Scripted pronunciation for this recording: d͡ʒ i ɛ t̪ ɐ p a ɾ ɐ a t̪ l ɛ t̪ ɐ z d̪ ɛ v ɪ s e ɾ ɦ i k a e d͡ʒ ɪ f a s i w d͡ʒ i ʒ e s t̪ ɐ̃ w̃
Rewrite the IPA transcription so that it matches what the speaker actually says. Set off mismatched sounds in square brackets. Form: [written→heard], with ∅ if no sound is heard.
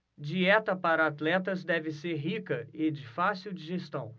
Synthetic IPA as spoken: d͡ʒ i ɛ t̪ ɐ p a ɾ ɐ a t̪ l ɛ t̪ ɐ z d̪ ɛ v ɪ s e ɾ ɦ i k [a→ɐ] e d͡ʒ ɪ f a s i w d͡ʒ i ʒ e s t̪ ɐ̃ w̃